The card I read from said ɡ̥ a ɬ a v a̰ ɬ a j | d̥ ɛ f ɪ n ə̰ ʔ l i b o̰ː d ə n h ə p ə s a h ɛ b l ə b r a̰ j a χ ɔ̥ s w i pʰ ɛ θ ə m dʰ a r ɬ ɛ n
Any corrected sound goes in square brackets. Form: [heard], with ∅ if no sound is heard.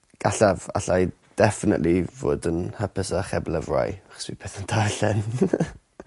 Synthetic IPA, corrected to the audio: ɡ̥ a ɬ a v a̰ ɬ a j | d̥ ɛ f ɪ n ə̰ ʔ l i [v] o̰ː d ə n h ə p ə s a [χ] ɛ b l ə [v] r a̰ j a χ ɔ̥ s w i pʰ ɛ θ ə [n] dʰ a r ɬ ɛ n